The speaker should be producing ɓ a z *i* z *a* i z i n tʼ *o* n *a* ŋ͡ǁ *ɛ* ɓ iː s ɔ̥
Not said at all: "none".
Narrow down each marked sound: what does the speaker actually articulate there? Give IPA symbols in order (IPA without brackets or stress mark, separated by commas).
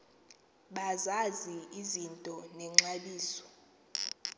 a, i, ɔ, ɛ, a